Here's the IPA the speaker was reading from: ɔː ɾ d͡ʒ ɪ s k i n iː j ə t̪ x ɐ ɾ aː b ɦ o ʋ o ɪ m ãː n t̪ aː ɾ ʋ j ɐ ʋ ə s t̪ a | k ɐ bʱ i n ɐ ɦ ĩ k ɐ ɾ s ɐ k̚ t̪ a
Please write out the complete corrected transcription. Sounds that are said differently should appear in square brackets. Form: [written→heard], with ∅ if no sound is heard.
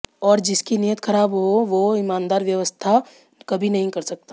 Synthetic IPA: ɔː ɾ d͡ʒ ɪ s k i n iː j ə t̪ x ɐ ɾ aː b ɦ o ʋ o ɪ m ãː n [t̪→d̪] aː ɾ ʋ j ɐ ʋ ə s [t̪→t̪ʰ] a | k ɐ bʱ i n ɐ ɦ ĩ k ɐ ɾ s ɐ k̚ t̪ a